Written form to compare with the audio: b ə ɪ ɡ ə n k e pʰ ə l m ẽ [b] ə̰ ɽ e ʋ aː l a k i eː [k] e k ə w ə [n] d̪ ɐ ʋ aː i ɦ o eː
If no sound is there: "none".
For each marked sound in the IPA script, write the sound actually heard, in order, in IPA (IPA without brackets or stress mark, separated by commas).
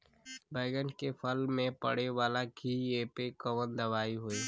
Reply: p, p, n